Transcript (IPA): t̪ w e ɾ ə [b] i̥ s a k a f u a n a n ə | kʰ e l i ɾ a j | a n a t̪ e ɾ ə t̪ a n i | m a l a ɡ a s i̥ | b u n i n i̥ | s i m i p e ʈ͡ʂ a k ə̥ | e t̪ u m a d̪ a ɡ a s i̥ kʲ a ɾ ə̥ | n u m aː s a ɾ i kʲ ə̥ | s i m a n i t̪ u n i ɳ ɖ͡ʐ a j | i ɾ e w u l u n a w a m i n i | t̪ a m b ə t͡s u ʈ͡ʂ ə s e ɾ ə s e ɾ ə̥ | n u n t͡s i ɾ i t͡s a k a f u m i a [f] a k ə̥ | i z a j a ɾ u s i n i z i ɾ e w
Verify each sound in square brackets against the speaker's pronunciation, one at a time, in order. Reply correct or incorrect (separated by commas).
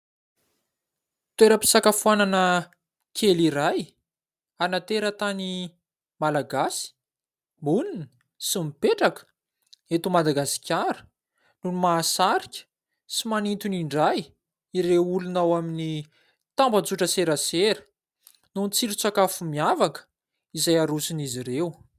incorrect, incorrect